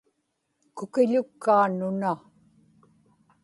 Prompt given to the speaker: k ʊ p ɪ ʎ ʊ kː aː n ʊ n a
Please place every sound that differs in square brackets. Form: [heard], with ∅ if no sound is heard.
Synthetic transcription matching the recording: k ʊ [k] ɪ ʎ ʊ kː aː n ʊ n a